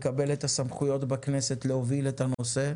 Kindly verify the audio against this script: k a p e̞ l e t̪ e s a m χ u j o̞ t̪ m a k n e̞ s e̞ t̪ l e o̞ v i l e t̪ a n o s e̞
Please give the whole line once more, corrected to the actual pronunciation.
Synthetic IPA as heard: k a b e̞ l e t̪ a s a m χ u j o̞ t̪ b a k n e̞ s e̞ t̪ l e o̞ v i l e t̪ a n o s e̞